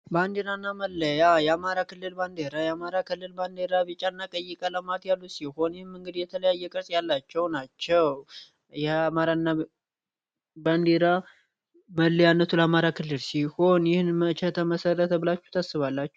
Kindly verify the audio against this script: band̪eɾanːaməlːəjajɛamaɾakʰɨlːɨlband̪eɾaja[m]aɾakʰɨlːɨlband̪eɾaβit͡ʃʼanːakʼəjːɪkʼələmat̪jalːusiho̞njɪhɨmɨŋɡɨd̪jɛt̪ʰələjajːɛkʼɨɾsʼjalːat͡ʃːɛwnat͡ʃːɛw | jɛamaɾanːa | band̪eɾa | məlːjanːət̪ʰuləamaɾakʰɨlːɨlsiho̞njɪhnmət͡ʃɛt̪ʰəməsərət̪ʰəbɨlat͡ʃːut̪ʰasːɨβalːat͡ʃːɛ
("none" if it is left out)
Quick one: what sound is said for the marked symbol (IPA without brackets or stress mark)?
m